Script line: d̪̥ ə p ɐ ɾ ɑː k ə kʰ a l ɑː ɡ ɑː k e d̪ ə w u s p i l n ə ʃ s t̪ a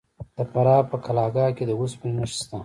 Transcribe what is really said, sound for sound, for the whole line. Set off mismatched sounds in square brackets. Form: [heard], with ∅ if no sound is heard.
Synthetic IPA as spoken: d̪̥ ə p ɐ ɾ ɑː [p] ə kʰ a l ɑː ɡ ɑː k e d̪ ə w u s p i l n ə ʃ s t̪ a